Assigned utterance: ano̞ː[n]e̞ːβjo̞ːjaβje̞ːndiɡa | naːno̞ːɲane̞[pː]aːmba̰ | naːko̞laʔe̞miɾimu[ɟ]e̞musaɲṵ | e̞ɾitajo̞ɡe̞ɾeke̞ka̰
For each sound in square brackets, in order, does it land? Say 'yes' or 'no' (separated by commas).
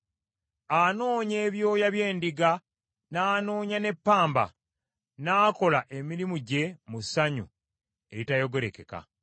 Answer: no, yes, yes